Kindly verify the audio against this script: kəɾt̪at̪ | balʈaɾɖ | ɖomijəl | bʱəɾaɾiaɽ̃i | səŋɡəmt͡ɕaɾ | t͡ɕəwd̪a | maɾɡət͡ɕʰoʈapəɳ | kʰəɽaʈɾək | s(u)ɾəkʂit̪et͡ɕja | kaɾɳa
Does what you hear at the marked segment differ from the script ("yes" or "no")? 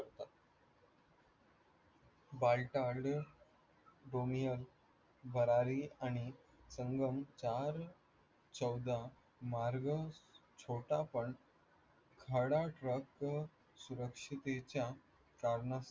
no